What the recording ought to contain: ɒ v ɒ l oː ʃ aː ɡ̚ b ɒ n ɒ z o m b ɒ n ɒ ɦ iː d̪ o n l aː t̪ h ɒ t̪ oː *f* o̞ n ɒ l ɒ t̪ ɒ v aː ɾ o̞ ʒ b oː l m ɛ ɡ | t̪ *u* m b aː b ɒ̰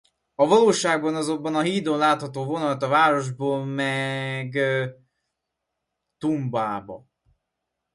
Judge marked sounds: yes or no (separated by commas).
no, yes